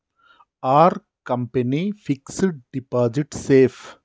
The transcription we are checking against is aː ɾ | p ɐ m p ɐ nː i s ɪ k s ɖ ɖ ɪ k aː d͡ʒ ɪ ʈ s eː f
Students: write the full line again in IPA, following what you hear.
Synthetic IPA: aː ɾ | k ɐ m p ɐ n i f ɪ k s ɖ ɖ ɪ p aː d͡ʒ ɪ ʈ s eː f